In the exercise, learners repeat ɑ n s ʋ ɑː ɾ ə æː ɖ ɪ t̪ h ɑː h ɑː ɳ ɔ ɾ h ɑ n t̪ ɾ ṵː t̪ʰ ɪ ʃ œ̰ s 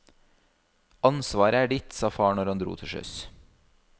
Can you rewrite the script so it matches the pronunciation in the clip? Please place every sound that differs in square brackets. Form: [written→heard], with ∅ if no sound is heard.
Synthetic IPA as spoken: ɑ n s ʋ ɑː ɾ ə æː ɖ ɪ t̪ [h→s] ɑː [h→f] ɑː ɳ ɔ ɾ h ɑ n [t̪→d̪] ɾ ṵː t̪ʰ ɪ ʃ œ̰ s